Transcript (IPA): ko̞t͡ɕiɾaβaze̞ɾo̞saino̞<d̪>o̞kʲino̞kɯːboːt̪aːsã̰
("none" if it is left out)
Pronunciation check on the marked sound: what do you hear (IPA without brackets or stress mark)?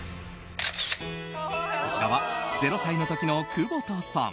t̪